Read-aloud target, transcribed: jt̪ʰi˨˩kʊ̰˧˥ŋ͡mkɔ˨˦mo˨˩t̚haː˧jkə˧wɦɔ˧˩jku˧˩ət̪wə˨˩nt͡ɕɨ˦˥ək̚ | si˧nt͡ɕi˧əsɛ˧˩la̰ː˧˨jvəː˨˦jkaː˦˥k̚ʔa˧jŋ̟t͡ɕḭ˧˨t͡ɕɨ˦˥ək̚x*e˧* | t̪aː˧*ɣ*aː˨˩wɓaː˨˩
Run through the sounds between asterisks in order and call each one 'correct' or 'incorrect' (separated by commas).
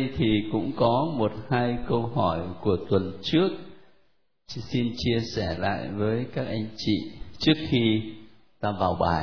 incorrect, incorrect